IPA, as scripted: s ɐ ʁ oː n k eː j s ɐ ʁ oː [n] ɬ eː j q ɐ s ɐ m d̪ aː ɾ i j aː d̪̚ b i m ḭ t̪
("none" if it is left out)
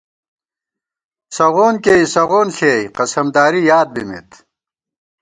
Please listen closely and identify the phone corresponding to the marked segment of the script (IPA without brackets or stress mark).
n